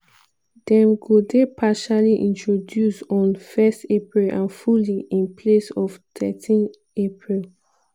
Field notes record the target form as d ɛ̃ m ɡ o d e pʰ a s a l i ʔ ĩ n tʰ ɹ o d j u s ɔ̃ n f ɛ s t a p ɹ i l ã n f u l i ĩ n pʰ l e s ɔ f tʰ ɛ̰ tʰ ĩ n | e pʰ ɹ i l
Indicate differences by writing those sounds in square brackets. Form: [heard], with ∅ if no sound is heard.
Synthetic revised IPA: d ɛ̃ m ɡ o d e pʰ a [ʃ] a l i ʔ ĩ n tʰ ɹ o d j u s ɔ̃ n f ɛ s t [e] p ɹ i l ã n f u l i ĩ n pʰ l e s ɔ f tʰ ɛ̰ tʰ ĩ n | e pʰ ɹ i l

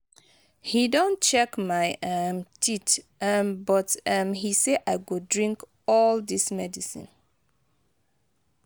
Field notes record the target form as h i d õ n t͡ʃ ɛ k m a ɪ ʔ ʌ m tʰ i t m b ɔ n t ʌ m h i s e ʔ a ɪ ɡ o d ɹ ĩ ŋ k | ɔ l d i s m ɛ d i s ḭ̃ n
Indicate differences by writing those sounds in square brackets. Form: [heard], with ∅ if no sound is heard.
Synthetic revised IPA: h i d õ n t͡ʃ ɛ k m a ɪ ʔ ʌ m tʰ i t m b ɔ [∅] t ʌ m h i s e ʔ a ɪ ɡ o d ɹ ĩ ŋ k | ɔ l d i s m ɛ d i s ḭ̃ n

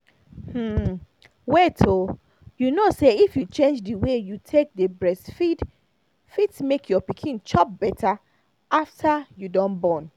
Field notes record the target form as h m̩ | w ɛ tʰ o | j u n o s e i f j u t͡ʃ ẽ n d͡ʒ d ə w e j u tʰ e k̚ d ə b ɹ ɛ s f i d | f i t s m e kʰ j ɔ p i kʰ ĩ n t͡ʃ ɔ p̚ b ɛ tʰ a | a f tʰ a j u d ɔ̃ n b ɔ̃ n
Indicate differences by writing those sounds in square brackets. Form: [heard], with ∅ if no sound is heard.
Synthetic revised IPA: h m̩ | w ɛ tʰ o | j u n o s e i f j u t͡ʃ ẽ n d͡ʒ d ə w e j u tʰ e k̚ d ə b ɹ ɛ s f i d | f i t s m e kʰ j ɔ p i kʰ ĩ n t͡ʃ ɔ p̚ b ɛ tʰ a | a f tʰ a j u d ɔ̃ n b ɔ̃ n

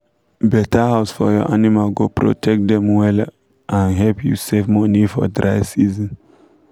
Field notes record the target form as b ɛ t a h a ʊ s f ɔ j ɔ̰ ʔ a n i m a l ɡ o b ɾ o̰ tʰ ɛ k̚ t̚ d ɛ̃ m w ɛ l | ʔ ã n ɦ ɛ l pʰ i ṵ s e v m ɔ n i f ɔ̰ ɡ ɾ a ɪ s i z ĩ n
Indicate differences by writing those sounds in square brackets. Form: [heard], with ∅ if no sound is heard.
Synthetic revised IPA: b ɛ t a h a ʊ s f ɔ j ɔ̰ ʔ a n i m a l ɡ o [p] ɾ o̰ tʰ ɛ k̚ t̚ d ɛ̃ m w ɛ l | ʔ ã n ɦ ɛ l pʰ [j] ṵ s e v m ɔ n i f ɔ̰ [d] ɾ a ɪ s i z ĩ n

